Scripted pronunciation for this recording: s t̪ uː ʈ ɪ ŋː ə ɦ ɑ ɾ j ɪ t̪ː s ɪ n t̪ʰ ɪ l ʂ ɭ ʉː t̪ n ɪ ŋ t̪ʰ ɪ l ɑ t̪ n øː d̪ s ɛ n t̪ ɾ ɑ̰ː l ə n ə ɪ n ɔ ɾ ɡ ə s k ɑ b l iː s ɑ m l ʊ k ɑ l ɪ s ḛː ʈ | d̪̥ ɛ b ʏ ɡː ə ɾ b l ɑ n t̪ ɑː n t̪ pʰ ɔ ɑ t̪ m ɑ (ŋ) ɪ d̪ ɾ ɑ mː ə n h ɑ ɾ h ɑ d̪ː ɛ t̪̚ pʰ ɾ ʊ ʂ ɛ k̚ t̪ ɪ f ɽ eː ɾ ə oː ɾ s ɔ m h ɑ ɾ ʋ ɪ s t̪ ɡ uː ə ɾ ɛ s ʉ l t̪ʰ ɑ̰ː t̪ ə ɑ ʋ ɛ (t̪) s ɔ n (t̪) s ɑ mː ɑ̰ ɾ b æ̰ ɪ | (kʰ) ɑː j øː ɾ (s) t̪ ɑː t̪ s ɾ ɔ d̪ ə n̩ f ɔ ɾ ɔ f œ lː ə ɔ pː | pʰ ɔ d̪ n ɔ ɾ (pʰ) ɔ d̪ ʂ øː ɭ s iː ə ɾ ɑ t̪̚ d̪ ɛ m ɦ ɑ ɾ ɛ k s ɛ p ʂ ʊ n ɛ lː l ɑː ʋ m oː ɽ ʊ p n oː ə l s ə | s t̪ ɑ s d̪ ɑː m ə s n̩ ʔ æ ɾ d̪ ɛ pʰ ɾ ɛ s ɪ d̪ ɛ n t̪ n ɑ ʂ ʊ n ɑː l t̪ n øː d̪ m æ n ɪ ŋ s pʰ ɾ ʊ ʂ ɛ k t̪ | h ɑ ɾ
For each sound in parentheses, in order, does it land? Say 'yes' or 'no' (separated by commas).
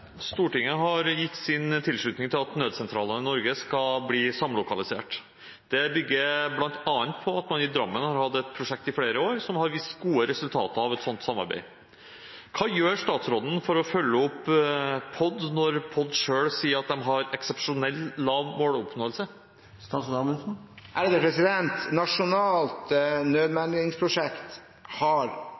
no, yes, yes, yes, no, yes